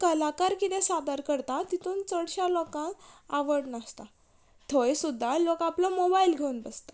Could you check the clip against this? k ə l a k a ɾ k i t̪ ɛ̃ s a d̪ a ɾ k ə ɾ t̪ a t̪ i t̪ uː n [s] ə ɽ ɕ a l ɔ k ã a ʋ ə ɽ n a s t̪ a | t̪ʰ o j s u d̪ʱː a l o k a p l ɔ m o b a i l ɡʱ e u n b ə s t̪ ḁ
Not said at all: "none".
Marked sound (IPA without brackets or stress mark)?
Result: t͡s